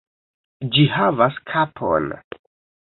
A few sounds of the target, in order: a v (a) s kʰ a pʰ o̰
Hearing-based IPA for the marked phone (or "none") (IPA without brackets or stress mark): a